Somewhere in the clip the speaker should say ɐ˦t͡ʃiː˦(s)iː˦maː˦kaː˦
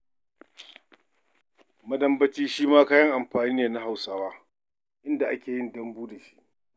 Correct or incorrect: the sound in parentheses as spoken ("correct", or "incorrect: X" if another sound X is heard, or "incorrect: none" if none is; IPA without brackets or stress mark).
incorrect: ʃ